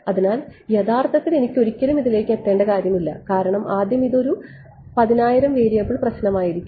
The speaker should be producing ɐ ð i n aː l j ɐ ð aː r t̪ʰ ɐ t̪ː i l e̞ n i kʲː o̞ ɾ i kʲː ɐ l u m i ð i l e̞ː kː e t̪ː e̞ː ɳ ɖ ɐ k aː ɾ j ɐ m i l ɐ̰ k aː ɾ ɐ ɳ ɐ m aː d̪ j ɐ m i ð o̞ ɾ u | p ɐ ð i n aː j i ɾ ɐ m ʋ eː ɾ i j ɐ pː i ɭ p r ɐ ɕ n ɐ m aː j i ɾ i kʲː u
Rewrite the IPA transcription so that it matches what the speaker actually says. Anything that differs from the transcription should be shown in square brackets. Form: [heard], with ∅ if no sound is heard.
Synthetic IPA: ɐ ð i n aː l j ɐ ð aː r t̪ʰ ɐ t̪ː i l e̞ n i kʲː o̞ ɾ i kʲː ɐ l u m i ð i l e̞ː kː e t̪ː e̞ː ɳ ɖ ɐ k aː ɾ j ɐ m i [lː] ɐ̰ k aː ɾ ɐ ɳ ɐ m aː d̪ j ɐ m i ð o̞ ɾ u | p ɐ ð i n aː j i ɾ ɐ m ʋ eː ɾ i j ɐ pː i ɭ p r ɐ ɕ n ɐ m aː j i ɾ i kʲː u